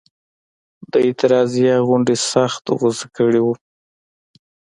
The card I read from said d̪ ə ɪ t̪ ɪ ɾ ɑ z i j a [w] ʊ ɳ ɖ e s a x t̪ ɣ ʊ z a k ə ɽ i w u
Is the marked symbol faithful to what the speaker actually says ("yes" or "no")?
no